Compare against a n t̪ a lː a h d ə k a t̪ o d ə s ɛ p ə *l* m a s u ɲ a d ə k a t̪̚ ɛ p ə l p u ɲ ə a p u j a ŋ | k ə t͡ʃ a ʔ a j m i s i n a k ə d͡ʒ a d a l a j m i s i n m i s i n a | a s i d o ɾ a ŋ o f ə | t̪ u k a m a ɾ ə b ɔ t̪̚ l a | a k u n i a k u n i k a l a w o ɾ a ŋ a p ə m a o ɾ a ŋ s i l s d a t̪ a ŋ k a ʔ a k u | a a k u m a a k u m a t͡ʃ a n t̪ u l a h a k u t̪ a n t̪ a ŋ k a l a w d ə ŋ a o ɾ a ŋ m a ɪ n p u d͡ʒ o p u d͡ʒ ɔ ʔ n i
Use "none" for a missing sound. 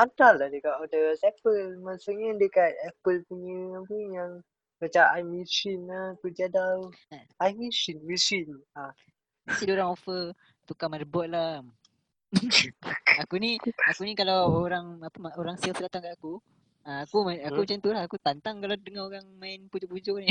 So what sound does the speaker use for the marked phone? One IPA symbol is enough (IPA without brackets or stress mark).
l